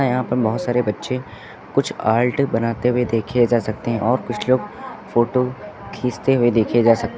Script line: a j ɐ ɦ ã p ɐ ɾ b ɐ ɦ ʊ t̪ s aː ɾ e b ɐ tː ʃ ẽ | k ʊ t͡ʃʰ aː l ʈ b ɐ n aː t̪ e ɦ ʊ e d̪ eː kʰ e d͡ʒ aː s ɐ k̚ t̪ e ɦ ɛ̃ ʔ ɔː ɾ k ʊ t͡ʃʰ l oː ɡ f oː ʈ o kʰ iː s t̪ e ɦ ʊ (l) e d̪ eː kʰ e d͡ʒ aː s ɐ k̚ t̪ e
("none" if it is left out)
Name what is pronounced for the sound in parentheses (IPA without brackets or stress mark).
none